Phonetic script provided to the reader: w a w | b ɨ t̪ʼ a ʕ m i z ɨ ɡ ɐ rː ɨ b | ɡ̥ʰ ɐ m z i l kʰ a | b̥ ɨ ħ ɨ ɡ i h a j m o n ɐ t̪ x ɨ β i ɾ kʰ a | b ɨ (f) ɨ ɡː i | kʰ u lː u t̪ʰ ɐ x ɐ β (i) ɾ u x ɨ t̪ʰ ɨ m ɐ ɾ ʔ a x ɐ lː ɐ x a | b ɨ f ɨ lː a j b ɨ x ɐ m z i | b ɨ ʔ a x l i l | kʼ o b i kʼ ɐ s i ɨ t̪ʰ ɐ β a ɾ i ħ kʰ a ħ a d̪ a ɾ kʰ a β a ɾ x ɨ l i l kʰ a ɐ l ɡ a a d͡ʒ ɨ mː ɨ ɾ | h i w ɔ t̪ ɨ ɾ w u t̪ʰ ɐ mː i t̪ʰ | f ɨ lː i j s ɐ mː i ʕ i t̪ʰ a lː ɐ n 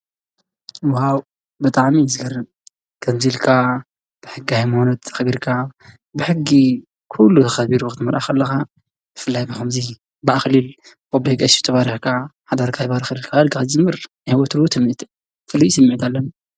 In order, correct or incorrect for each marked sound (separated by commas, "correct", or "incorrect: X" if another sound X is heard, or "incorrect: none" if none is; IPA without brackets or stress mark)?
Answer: incorrect: ħ, correct